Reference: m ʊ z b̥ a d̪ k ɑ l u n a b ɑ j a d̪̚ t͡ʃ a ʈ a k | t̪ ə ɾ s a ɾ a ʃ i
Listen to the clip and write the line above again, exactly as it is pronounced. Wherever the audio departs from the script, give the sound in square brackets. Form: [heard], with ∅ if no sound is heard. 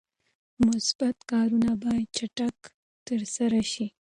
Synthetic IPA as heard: m ʊ [s] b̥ a [t̪] k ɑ [ɾ] u n a b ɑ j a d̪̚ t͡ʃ a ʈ a k | t̪ ə ɾ s a ɾ a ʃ i